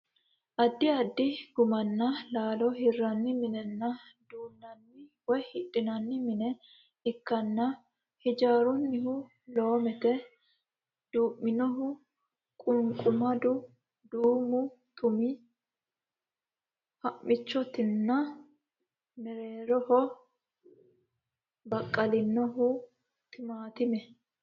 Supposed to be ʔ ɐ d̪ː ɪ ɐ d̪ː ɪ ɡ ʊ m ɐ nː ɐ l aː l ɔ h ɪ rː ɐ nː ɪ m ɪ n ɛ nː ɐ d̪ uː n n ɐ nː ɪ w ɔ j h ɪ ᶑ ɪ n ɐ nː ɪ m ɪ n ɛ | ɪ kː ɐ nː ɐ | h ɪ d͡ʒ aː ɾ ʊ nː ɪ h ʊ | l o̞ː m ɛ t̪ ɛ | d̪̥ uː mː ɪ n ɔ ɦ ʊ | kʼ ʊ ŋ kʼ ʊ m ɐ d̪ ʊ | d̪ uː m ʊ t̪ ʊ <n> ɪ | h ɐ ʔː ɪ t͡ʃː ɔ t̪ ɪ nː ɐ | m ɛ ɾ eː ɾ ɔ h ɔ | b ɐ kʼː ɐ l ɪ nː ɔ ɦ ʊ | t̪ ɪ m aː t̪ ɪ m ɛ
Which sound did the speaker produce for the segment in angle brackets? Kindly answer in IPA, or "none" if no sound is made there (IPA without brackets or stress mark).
m